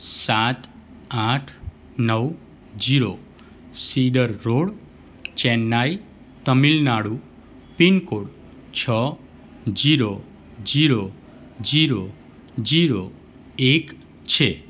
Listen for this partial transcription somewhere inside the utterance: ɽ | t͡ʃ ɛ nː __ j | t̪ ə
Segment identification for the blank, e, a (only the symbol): a